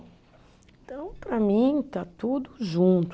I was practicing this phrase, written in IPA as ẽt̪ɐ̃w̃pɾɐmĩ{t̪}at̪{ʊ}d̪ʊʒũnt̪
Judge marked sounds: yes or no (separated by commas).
yes, no